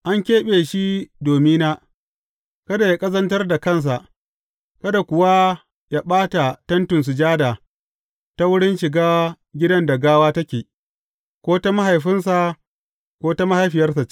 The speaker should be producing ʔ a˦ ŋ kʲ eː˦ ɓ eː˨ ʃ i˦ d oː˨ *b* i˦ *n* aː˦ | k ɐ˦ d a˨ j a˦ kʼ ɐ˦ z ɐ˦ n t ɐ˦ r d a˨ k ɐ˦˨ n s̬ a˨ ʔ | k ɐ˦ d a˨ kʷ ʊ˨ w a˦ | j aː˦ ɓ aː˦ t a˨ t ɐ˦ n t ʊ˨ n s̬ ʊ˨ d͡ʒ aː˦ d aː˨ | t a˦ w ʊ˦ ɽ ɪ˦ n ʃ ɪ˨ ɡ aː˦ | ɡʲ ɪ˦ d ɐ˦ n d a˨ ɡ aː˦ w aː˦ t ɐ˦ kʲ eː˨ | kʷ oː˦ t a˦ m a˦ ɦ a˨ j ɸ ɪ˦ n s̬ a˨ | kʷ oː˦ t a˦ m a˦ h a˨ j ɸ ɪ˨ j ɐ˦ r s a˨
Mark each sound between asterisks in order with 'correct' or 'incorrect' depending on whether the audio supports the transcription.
incorrect: m, correct

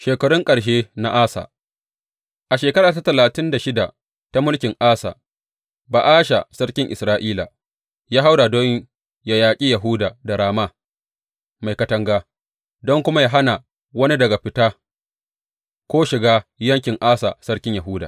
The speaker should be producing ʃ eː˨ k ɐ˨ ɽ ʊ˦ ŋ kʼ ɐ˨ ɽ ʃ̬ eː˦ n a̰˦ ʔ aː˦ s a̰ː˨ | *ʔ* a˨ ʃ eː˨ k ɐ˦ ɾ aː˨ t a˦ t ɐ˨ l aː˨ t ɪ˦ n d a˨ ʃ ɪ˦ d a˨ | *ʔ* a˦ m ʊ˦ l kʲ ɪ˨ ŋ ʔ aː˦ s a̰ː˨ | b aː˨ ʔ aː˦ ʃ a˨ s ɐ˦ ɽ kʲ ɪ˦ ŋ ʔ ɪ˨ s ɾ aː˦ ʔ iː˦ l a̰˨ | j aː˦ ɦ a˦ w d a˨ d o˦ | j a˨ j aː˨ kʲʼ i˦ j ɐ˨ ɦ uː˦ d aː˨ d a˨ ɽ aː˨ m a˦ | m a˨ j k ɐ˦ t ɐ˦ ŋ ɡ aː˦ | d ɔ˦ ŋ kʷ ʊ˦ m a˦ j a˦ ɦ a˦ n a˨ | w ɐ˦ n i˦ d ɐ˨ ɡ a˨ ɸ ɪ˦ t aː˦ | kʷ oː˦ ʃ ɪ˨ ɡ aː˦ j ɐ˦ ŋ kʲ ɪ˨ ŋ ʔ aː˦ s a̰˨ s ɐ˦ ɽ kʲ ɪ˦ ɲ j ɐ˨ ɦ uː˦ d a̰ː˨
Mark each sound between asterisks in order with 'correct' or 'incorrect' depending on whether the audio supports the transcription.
correct, incorrect: t

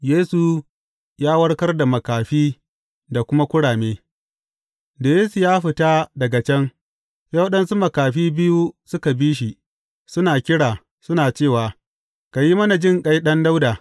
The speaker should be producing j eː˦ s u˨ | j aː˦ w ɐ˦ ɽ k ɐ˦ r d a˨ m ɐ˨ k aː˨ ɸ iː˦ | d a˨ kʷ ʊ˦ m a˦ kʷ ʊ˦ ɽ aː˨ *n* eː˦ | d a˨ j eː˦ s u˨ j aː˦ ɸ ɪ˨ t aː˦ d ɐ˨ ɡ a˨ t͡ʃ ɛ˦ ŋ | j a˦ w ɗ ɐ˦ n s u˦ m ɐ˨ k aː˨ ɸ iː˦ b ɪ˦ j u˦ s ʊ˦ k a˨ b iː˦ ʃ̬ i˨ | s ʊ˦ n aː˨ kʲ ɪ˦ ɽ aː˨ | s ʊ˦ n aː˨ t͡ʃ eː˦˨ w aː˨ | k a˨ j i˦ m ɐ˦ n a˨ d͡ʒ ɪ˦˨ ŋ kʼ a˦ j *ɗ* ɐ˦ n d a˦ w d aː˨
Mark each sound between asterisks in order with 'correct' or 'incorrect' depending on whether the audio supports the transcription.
incorrect: m, correct

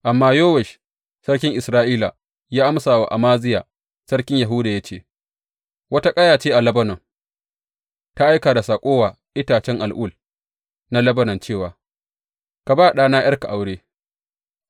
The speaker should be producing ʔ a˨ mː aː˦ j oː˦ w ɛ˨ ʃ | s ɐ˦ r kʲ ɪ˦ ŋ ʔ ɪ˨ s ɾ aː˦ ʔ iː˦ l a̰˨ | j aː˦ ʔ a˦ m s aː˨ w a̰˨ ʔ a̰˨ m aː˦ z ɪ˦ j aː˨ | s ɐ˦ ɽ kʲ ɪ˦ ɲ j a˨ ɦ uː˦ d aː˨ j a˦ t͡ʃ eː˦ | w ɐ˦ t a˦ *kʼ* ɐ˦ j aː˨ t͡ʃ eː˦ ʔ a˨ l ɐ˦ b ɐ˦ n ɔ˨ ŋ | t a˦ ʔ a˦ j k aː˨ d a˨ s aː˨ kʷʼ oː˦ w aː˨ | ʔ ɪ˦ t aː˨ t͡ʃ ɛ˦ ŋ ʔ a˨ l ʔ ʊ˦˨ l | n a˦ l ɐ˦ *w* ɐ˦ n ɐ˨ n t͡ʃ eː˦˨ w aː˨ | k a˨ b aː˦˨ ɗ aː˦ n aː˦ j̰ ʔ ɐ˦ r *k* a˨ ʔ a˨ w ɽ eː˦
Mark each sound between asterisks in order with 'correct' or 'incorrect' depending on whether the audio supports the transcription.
correct, incorrect: b, correct

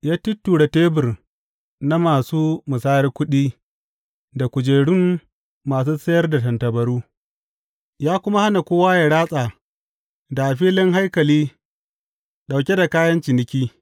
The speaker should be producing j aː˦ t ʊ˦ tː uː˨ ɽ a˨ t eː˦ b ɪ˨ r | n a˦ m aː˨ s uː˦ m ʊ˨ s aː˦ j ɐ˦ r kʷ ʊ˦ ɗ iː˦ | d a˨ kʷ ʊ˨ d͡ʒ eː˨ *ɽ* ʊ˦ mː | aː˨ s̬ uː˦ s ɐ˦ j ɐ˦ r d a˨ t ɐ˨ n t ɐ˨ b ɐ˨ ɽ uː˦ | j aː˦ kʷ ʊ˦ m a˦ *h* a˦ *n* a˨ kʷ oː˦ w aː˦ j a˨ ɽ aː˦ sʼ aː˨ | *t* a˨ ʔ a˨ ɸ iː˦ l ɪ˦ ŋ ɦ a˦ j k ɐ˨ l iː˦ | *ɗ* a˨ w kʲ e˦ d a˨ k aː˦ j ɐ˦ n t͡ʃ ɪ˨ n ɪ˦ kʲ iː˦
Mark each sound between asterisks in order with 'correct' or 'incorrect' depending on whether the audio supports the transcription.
correct, correct, correct, incorrect: d, correct

